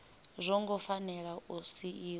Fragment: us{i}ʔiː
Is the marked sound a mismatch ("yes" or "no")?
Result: no